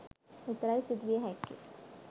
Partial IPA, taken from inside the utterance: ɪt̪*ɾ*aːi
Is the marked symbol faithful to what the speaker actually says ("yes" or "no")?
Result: yes